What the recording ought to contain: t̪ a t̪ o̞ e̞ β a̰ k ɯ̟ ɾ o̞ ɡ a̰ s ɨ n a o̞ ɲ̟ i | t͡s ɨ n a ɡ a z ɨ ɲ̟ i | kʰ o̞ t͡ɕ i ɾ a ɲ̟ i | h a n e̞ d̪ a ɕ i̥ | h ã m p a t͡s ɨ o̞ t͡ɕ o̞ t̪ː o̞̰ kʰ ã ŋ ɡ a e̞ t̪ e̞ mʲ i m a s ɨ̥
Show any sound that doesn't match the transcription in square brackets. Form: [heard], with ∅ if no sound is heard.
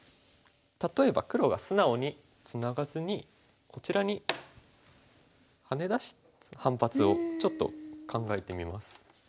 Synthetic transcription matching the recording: t̪ a t̪ o̞ e̞ [b] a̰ k ɯ̟ ɾ o̞ ɡ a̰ s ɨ n a o̞ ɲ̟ i | t͡s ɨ n a ɡ a z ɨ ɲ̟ i | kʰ o̞ t͡ɕ i ɾ a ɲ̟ i | h a n e̞ d̪ a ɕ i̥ | h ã m p a t͡s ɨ o̞ t͡ɕ o̞ t̪ː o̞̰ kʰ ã ŋ ɡ a e̞ t̪ e̞ mʲ i m a s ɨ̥